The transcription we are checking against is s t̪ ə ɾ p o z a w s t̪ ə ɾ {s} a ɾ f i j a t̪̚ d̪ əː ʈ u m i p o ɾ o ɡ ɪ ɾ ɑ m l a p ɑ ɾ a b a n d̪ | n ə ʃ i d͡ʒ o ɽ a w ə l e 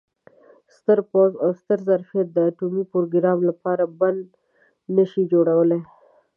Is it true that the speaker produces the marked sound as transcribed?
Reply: no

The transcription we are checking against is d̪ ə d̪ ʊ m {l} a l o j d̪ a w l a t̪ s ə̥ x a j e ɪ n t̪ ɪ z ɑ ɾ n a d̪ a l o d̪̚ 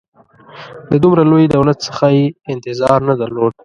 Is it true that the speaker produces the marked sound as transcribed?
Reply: no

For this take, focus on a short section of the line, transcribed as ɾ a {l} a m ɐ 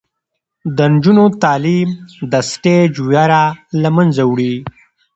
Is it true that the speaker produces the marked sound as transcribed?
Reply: yes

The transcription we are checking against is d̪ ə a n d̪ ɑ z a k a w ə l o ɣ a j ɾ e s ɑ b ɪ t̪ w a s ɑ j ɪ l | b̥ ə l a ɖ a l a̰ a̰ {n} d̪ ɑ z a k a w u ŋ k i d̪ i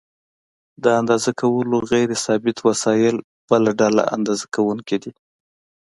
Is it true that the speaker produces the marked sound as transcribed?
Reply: yes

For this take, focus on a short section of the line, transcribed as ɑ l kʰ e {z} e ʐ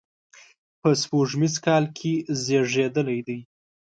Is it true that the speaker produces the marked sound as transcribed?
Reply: yes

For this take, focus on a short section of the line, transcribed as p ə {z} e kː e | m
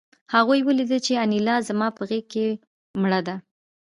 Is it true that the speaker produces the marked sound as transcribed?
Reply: no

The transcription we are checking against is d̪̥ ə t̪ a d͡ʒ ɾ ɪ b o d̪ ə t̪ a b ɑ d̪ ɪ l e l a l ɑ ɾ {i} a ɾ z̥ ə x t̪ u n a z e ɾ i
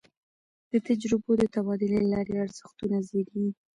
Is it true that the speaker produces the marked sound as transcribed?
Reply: no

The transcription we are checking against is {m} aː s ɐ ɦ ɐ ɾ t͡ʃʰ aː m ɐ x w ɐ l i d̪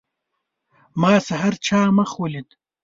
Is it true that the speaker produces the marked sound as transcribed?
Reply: yes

